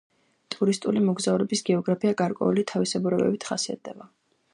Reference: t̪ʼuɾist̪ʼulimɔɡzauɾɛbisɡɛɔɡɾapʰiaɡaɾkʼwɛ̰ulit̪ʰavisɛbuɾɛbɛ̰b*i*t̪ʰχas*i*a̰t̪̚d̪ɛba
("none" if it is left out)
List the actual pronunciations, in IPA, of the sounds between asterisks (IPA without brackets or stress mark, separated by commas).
i, i